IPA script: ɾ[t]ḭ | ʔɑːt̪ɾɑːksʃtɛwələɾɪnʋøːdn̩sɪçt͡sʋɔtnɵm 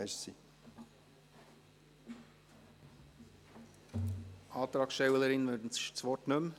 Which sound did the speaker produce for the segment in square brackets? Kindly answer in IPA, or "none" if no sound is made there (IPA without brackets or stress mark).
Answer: s